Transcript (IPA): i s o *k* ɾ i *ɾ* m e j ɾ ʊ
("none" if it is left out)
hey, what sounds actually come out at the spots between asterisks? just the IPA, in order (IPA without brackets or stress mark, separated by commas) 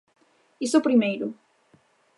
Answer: p, none